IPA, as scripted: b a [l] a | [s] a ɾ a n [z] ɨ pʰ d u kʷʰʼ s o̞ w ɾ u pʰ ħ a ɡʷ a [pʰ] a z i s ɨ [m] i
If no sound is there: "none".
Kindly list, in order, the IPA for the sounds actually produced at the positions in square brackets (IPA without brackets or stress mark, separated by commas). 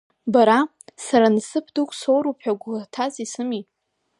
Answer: ɾ, s, s, tʰ, m